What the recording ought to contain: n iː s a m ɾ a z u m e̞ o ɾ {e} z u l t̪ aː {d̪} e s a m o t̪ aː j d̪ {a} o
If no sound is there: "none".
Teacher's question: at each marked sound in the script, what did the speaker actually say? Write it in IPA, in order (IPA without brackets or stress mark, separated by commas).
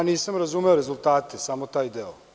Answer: e, t̪, e